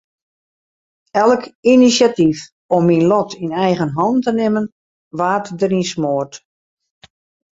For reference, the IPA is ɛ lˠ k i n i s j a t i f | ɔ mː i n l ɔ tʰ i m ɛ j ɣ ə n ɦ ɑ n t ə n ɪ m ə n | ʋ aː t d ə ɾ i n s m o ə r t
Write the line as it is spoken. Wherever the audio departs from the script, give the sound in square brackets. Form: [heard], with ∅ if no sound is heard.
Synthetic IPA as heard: ɛ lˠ k i n i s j a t i f | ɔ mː i n l ɔ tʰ i [n] ɛ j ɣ ə n ɦ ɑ n t ə n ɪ m ə n | ʋ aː t d ə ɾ i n s m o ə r t